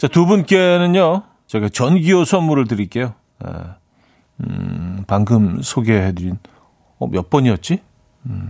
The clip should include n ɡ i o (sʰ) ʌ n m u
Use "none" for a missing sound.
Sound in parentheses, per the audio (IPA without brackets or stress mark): sʰ